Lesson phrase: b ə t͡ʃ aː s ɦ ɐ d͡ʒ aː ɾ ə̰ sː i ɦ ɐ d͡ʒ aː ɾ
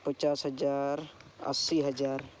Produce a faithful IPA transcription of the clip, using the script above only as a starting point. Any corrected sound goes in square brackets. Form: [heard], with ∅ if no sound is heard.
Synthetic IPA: [p] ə t͡ʃ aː s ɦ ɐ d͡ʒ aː ɾ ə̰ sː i ɦ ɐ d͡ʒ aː ɾ